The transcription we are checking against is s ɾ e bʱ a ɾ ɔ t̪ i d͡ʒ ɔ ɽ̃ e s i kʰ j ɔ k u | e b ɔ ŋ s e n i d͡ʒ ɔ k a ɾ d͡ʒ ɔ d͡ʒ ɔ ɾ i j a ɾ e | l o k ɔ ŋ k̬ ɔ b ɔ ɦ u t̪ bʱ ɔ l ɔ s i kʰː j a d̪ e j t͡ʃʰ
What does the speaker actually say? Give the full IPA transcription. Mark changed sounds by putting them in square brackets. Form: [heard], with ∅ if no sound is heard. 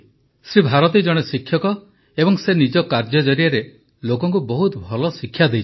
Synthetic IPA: s ɾ [i] bʱ a ɾ ɔ t̪ i d͡ʒ ɔ ɽ̃ e s i kʰ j ɔ k [ɔ] | e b ɔ ŋ s e n i d͡ʒ ɔ k a ɾ d͡ʒ ɔ d͡ʒ ɔ ɾ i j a ɾ e | l o k ɔ ŋ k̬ [u] b ɔ ɦ u t̪ bʱ ɔ l ɔ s i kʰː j a d̪ e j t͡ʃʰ